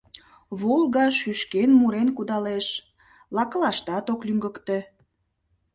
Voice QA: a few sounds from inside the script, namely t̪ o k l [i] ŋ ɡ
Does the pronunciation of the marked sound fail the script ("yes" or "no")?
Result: yes